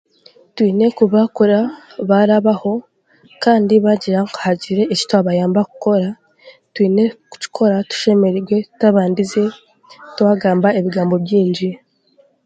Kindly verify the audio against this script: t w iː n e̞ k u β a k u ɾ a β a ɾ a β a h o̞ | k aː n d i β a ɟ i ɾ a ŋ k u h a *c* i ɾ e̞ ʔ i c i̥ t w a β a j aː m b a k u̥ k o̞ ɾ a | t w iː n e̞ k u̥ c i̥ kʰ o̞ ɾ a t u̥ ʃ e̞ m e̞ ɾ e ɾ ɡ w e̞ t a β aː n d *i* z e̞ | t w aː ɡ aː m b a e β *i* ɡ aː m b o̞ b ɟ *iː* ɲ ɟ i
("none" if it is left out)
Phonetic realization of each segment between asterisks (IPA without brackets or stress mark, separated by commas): ɟ, i, i, iː